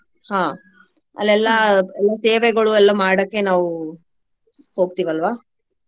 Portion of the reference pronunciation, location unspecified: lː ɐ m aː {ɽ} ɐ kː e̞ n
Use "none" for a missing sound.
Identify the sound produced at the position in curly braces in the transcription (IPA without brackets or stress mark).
ɽ